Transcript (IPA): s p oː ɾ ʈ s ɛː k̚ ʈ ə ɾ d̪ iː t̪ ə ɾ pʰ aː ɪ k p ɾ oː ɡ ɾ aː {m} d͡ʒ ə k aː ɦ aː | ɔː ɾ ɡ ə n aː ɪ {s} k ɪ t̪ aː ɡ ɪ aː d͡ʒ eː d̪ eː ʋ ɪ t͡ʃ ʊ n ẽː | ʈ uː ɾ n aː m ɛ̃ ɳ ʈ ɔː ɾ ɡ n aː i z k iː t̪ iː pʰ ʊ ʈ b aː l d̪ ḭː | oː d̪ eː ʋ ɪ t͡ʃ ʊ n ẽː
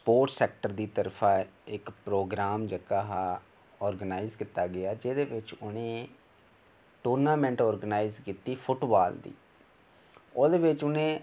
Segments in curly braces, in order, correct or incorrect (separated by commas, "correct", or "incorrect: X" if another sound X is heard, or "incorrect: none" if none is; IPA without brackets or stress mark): correct, incorrect: z